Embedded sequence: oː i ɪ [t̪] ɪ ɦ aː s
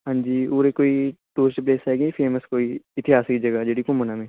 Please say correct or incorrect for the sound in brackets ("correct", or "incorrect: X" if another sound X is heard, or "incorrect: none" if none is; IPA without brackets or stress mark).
correct